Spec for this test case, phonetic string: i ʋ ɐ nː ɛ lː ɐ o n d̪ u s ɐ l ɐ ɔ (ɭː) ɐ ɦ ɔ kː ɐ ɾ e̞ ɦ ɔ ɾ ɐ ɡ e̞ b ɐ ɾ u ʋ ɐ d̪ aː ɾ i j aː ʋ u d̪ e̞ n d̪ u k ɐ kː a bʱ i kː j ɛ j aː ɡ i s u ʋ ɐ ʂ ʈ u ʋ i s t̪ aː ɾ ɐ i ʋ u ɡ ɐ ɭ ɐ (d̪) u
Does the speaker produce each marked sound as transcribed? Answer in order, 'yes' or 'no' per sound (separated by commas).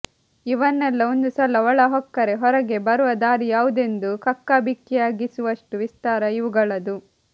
no, yes